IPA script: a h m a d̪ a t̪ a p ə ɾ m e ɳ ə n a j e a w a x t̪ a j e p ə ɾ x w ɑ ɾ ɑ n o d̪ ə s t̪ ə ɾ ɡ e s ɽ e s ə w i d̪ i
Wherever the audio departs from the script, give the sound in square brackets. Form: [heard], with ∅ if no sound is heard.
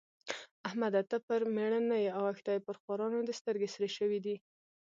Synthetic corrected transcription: a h m a d̪ a t̪ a p ə ɾ m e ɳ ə n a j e a w a x t̪ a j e p ə ɾ x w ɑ ɾ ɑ n o d̪ ə s t̪ ə ɾ ɡ e s [ɾ] e [ʃ] ə w i d̪ i